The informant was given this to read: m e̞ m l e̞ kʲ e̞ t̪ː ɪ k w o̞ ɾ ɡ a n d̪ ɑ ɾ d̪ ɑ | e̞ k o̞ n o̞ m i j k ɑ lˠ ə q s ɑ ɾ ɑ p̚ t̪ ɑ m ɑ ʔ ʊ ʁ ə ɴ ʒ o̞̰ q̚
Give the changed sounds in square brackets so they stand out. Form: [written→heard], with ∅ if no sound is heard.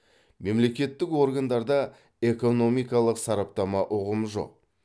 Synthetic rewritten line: m e̞ m l e̞ kʲ e̞ t̪ː ɪ k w o̞ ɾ ɡ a n d̪ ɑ ɾ d̪ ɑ | e̞ k o̞ n o̞ m i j k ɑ lˠ ə q s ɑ ɾ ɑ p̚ t̪ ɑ m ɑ ʔ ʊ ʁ ə [ɴ→m] ʒ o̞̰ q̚

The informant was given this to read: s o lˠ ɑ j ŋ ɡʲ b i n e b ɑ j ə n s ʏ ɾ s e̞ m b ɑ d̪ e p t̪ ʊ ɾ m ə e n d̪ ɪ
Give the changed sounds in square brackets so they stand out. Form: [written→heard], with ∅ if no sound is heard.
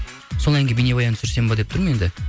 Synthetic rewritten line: s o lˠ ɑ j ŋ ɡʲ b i n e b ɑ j [ə→ɑ] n s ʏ ɾ s e̞ m b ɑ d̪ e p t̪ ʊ ɾ m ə e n d̪ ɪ

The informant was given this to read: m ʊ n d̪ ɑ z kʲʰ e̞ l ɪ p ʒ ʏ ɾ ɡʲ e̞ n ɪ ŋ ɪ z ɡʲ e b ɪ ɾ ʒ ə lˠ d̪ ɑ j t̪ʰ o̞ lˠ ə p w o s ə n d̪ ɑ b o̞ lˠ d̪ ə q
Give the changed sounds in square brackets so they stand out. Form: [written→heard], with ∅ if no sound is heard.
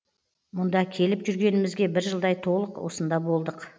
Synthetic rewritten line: m ʊ n d̪ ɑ [z→∅] kʲʰ e̞ l ɪ p ʒ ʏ ɾ ɡʲ e̞ n ɪ [ŋ→m] ɪ z ɡʲ e b ɪ ɾ ʒ ə lˠ d̪ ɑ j t̪ʰ o̞ lˠ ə [p→q] w o s ə n d̪ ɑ b o̞ lˠ d̪ ə q

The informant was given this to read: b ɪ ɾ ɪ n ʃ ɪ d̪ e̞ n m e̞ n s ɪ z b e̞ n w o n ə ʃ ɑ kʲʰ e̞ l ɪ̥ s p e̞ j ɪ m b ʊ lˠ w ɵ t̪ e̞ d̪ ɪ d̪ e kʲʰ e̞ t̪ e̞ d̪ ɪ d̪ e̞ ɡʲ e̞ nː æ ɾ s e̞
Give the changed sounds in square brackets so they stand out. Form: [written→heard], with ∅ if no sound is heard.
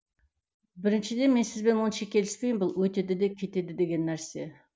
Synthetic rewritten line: b ɪ ɾ ɪ n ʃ ɪ d̪ e̞ n m e̞ n s ɪ z b e̞ n w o n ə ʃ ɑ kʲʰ e̞ l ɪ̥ s p e̞ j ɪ m b ʊ lˠ w ɵ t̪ e̞ d̪ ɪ d̪ e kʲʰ e̞ t̪ e̞ d̪ ɪ d̪ e̞ ɡʲ e̞ nː æ ɾ s e̞

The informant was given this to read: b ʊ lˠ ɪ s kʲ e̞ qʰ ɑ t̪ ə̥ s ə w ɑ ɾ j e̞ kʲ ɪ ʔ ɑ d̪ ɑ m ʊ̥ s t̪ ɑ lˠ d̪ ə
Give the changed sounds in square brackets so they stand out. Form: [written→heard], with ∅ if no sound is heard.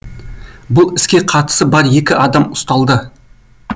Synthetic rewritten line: b ʊ lˠ ɪ s kʲ e̞ qʰ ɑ t̪ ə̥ s ə [w→b] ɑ ɾ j e̞ kʲ ɪ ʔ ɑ d̪ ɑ m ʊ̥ s t̪ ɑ lˠ d̪ ə

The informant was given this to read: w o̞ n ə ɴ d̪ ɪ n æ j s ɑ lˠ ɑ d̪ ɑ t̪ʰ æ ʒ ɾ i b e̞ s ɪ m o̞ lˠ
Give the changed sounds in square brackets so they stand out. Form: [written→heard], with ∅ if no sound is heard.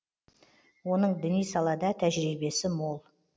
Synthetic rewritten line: w o̞ n ə ɴ d̪ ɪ n [æ→i] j s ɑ lˠ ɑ d̪ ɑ t̪ʰ æ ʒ ɾ i b e̞ s ɪ m o̞ lˠ

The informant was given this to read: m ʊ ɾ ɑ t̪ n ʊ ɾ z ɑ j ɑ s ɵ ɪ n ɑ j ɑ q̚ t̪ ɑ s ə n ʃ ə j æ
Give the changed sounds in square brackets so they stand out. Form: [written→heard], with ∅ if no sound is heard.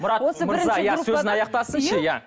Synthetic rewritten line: m ʊ ɾ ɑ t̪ [n→m] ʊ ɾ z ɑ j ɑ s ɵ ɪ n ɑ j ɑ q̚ t̪ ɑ s ə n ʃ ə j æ

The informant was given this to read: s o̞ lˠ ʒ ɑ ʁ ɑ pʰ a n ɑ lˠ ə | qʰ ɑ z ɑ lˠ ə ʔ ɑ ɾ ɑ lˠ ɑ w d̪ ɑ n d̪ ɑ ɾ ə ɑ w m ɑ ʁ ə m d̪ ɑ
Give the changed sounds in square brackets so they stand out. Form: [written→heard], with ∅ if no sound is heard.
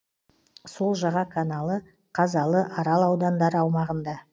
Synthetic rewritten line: s o̞ lˠ ʒ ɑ ʁ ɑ [pʰ→kʰ] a n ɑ lˠ ə | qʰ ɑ z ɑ lˠ ə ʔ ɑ ɾ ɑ lˠ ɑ w d̪ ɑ n d̪ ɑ ɾ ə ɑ w m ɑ ʁ ə [m→n] d̪ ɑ

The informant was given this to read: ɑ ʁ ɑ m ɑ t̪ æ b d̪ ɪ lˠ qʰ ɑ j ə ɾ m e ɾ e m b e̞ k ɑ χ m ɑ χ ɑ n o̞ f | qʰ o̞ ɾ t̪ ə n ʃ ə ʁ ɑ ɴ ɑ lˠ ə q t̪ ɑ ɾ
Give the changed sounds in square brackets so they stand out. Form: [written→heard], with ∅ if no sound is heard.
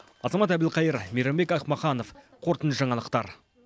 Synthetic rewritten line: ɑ [ʁ→z] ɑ m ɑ t̪ æ b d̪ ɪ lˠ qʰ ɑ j ə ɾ m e ɾ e m b e̞ k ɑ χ m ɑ χ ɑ n o̞ f | qʰ o̞ ɾ t̪ ə n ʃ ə [ʁ→ʒ] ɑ ɴ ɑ lˠ ə q t̪ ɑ ɾ

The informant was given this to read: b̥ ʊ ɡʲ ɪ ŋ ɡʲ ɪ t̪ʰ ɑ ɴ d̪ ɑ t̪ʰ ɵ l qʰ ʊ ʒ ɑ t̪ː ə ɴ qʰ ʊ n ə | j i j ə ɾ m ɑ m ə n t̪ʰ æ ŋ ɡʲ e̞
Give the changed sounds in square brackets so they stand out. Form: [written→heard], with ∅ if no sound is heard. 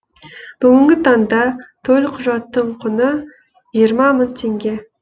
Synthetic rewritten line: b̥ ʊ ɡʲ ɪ ŋ ɡʲ ɪ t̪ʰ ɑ [ɴ→n] d̪ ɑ t̪ʰ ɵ l qʰ ʊ ʒ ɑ t̪ː ə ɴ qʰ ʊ n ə | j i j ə ɾ m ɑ m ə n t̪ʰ [æ→e] ŋ ɡʲ e̞

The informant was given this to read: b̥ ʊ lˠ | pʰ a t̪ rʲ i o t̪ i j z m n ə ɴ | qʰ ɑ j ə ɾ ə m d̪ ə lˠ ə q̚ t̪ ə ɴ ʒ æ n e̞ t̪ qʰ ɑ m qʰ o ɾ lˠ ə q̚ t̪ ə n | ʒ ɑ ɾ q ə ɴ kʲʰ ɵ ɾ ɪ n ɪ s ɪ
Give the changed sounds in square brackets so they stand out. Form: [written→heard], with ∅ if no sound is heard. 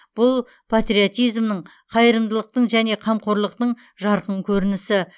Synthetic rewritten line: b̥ ʊ lˠ | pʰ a t̪ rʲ i o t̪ i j z m n ə ɴ | qʰ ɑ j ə ɾ ə m d̪ ə lˠ ə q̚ t̪ ə ɴ ʒ æ n e̞ [t̪→∅] qʰ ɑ m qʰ o ɾ lˠ ə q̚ t̪ ə [n→ɴ] | ʒ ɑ ɾ q ə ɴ kʲʰ ɵ ɾ ɪ n ɪ s ɪ

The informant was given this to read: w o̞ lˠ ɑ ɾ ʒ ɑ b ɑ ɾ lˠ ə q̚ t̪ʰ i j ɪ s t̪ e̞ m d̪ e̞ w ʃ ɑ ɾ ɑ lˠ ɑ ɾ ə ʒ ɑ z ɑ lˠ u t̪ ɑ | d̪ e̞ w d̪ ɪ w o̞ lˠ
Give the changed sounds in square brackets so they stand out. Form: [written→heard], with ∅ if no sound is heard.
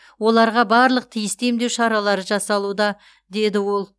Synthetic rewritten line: w o̞ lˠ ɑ ɾ [ʒ→ʁ] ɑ b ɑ ɾ lˠ ə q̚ t̪ʰ i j ɪ s t̪ e̞ m d̪ e̞ w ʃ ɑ ɾ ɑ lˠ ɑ ɾ ə ʒ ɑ [z→s] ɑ lˠ u [t̪→d̪] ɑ | d̪ e̞ [w→∅] d̪ ɪ w o̞ lˠ

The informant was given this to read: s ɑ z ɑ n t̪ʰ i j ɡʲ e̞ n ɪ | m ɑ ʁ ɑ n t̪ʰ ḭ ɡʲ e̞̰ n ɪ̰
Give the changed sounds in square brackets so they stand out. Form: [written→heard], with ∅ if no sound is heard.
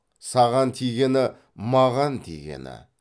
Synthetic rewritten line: s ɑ [z→ʁ] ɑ n t̪ʰ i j ɡʲ e̞ n ɪ | m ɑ ʁ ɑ n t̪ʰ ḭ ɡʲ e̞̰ n ɪ̰

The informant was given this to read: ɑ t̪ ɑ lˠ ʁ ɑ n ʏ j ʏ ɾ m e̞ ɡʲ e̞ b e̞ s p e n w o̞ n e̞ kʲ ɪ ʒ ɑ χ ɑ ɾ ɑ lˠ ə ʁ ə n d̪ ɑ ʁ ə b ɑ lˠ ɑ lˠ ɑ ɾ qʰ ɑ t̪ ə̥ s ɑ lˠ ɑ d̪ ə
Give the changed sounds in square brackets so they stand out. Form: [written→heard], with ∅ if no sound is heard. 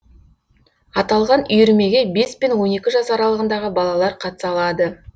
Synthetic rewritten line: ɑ t̪ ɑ lˠ ʁ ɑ n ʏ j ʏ ɾ m e̞ ɡʲ e̞ b e̞ s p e n w o̞ n e̞ kʲ ɪ ʒ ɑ [χ→s] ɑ ɾ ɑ lˠ ə ʁ ə n d̪ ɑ ʁ ə b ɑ lˠ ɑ lˠ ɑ ɾ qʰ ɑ t̪ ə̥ s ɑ lˠ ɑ d̪ ə

